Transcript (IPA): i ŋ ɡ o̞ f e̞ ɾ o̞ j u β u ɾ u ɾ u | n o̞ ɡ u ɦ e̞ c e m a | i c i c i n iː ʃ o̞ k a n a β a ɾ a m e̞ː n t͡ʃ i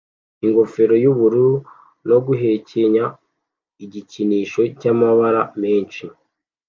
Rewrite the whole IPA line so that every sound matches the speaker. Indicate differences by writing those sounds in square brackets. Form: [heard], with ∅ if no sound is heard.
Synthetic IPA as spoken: i ŋ ɡ o̞ f e̞ ɾ o̞ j u β u ɾ u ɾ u | n o̞ ɡ u ɦ e̞ c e [ɲ] a | i [ɟ] i c i n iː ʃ o̞ [c] a [m] a β a ɾ a m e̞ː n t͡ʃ i